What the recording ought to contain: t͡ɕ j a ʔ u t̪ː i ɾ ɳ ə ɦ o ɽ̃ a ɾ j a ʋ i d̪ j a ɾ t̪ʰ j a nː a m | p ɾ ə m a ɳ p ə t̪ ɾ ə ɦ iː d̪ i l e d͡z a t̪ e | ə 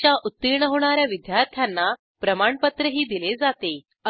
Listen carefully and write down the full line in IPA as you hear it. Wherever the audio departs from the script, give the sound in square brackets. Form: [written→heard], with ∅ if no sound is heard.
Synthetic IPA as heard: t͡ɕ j a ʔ u t̪ː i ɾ ɳ ə ɦ o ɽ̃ a ɾ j a ʋ i d̪ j a ɾ t̪ʰ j a nː a [m→∅] | p ɾ ə m a ɳ p ə t̪ ɾ ə ɦ iː d̪ i l e d͡z a t̪ e | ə